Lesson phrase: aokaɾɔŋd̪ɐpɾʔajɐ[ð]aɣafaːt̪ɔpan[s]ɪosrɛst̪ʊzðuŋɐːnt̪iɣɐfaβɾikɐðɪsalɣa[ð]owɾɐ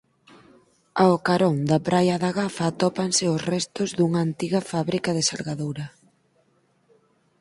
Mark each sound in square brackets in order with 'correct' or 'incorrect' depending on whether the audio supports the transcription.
correct, correct, correct

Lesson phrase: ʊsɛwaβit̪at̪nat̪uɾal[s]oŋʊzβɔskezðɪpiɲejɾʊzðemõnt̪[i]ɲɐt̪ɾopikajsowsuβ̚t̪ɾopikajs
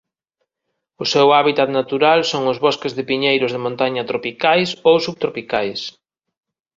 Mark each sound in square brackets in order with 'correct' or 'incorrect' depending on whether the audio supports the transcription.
correct, incorrect: a

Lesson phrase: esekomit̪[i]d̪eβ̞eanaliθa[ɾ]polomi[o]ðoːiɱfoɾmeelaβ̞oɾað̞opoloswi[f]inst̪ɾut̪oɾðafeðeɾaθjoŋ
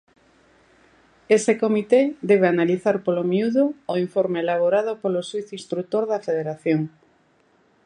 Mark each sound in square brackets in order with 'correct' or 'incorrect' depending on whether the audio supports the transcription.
incorrect: e, correct, incorrect: u, incorrect: θ

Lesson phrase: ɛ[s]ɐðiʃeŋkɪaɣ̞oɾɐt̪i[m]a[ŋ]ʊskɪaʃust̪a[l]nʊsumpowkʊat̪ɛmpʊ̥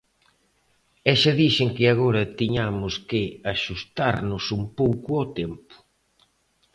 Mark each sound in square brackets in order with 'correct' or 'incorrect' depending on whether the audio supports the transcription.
incorrect: ʃ, incorrect: ɲ, incorrect: m, incorrect: ɾ

